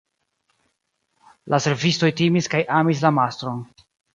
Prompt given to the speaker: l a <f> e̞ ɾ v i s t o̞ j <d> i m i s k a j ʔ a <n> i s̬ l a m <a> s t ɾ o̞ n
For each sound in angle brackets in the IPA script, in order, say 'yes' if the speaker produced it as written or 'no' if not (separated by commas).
no, no, no, yes